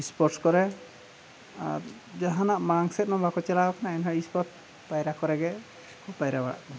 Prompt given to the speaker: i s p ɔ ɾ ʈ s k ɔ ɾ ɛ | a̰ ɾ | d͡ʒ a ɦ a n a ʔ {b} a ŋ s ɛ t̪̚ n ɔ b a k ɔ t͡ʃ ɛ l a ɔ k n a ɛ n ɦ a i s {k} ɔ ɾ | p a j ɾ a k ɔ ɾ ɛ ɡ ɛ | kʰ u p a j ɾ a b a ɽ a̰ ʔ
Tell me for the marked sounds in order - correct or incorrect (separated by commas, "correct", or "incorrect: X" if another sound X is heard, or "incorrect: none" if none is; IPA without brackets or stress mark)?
incorrect: m, incorrect: p